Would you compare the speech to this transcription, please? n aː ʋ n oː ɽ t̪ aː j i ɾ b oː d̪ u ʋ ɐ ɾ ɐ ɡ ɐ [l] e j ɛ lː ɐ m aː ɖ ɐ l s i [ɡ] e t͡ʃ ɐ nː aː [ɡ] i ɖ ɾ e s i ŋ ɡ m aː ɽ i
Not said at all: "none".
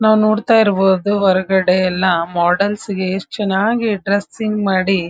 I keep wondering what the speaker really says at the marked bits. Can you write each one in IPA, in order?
ɽ, ɡ, ɡ

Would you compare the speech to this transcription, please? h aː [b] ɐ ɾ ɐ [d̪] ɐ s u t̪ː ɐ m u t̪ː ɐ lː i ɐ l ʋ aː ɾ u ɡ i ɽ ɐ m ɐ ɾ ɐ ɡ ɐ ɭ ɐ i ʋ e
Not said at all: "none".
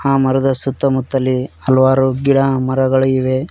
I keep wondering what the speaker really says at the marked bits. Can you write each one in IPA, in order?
m, d̪

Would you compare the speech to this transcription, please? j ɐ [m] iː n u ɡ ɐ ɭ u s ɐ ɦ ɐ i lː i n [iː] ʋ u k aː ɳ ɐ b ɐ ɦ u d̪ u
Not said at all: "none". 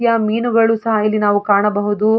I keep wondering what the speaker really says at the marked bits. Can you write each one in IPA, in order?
m, aː

